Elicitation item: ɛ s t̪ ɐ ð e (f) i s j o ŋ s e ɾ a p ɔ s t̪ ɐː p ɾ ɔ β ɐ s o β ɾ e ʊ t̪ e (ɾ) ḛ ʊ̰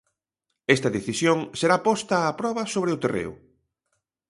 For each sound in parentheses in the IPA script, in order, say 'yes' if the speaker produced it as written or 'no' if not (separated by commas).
no, no